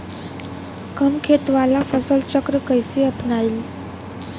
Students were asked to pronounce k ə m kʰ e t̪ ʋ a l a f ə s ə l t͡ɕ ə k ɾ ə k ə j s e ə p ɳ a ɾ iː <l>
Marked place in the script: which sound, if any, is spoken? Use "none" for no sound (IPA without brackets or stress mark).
l